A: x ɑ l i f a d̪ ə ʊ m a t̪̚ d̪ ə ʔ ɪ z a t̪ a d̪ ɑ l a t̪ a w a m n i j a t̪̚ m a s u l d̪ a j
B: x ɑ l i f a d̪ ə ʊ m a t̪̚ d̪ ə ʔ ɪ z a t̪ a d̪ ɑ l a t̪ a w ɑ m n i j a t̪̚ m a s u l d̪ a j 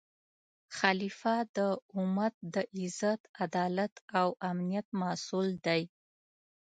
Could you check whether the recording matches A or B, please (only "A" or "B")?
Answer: A